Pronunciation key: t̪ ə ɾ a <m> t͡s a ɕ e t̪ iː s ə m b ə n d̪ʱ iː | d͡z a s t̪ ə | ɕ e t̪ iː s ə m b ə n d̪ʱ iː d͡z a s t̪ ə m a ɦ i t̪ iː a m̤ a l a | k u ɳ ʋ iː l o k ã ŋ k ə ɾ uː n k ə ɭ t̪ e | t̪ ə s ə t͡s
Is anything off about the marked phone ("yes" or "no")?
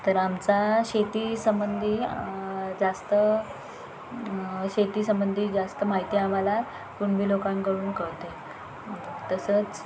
no